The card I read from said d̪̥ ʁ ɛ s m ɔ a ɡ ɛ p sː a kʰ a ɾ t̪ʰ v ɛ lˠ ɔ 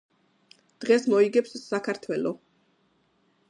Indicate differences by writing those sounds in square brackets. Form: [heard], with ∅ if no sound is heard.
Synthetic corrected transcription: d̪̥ ʁ ɛ s m ɔ [i] ɡ ɛ p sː a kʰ a ɾ t̪ʰ [w] ɛ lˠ ɔ

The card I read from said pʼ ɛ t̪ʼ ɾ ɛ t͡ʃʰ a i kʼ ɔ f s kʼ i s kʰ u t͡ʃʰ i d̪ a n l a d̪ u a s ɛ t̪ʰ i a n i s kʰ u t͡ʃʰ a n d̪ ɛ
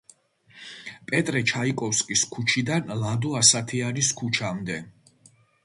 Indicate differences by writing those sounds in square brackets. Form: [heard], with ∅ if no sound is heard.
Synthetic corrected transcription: pʼ ɛ t̪ʼ ɾ ɛ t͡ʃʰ a i kʼ ɔ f s kʼ i s kʰ u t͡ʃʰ i d̪ a n l a d̪ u a s [a] t̪ʰ i a n i s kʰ u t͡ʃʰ a [m] d̪ ɛ

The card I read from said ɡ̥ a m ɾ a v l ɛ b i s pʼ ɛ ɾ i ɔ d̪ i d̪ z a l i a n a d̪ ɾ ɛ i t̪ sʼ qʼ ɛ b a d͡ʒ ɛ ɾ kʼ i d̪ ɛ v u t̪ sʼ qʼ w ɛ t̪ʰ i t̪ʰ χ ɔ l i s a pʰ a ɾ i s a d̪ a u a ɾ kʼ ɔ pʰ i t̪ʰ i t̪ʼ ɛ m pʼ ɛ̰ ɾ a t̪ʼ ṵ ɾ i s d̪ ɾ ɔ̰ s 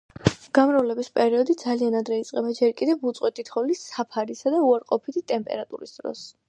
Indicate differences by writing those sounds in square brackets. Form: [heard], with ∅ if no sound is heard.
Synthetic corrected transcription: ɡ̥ a m ɾ a v l ɛ b i s pʼ ɛ ɾ i ɔ d̪ i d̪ z a l i a n a d̪ ɾ ɛ i t̪ sʼ qʼ ɛ b a d͡ʒ ɛ ɾ kʼ i d̪ ɛ v u t̪ sʼ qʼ w ɛ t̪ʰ i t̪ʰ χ ɔ l i s a pʰ a ɾ i s a d̪ a u a ɾ [qʼ] ɔ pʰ i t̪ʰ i t̪ʼ ɛ m pʼ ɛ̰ ɾ a t̪ʼ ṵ ɾ i s d̪ ɾ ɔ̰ s

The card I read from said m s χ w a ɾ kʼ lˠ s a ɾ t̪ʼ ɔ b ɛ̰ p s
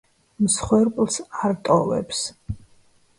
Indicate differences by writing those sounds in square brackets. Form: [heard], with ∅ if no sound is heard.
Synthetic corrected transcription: m s χ w [ɛ] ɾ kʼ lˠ s a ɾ t̪ʼ ɔ [v] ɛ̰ p s

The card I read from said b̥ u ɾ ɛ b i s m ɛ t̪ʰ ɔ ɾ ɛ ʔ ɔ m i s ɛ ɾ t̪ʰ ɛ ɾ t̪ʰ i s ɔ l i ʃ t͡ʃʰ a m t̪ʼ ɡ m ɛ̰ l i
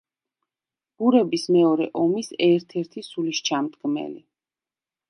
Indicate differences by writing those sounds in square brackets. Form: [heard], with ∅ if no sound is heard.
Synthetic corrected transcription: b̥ u ɾ ɛ b i s m ɛ [∅] ɔ ɾ ɛ ʔ ɔ m i s ɛ ɾ t̪ʰ ɛ ɾ t̪ʰ i s [u] l i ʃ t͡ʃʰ a m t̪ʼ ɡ m ɛ̰ l i

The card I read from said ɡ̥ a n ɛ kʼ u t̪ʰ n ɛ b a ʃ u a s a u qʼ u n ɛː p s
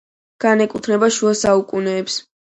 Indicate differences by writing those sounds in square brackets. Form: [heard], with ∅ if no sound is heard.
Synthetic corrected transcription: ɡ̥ a n ɛ kʼ u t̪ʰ n ɛ b a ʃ u a s a u [kʼ] u n ɛː p s

